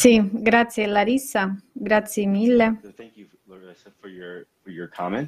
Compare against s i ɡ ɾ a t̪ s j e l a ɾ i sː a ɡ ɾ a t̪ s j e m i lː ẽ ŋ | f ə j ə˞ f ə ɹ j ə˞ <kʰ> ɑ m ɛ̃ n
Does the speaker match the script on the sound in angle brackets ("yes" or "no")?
yes